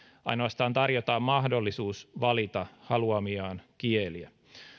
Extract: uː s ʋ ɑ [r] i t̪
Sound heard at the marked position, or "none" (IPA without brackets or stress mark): l